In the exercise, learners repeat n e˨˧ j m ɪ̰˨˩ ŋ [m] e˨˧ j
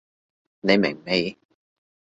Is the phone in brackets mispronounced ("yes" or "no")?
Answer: no